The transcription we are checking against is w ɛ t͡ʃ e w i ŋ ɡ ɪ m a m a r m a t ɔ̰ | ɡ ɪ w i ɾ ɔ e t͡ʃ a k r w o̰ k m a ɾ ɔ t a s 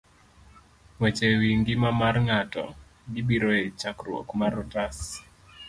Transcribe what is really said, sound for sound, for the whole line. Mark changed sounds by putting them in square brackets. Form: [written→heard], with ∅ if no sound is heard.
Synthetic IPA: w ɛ t͡ʃ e w i ŋ ɡ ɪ m a m a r [m→ŋ] a t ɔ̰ | ɡ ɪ [w→b] i ɾ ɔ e t͡ʃ a k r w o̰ k m a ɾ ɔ t a s